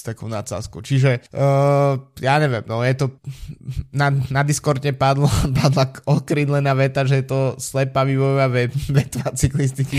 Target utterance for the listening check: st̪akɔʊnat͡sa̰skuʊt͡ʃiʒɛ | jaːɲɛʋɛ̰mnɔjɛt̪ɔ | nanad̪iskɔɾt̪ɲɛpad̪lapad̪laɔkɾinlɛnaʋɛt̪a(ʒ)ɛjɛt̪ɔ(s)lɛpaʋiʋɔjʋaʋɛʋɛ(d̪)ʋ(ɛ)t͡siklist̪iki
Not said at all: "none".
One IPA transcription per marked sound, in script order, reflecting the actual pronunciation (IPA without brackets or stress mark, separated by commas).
ʒ, s, t̪, a